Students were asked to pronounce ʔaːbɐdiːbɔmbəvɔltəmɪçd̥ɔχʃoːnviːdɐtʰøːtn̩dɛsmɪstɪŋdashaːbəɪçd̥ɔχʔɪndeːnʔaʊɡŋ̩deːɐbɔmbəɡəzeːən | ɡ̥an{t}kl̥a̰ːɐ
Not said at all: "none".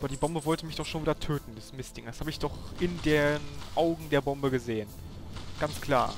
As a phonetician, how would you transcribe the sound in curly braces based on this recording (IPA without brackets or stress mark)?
t͡s